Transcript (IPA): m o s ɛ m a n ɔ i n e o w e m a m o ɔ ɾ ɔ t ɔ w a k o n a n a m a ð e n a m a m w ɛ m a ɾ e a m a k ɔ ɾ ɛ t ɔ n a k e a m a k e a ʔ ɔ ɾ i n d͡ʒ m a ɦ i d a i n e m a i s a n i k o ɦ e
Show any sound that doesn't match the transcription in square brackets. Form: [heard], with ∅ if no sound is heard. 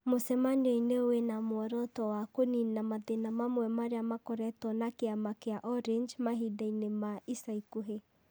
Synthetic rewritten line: m o s ɛ m a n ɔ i n e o w e [n] a m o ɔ ɾ ɔ t ɔ w a k o n [i] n a m a ð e n a m a m w ɛ m a ɾ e a m a k ɔ ɾ ɛ t ɔ n a k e a m a k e a ʔ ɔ ɾ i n d͡ʒ m a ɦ i d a i n e m a i s a [∅] i k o ɦ e